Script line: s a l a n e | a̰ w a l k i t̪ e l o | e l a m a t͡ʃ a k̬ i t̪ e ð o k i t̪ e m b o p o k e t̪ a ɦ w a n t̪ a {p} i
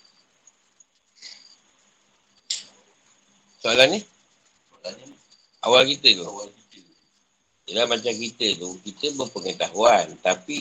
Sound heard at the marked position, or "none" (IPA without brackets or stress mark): p